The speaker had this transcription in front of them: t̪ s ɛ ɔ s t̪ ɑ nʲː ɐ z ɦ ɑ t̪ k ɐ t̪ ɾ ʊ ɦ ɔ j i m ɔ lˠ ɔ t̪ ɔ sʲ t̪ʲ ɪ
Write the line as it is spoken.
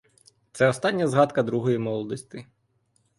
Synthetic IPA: t̪ s ɛ ɔ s t̪ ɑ nʲː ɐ z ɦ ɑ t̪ k ɐ d̪ ɾ u ɦ ɔ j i m ɔ lˠ ɔ d̪ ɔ sʲ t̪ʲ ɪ